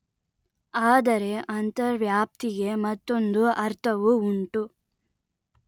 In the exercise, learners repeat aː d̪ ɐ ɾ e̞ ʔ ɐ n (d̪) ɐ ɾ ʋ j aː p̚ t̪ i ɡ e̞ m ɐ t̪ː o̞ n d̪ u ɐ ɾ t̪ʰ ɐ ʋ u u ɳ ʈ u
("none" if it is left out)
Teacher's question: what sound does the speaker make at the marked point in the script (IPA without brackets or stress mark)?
t̪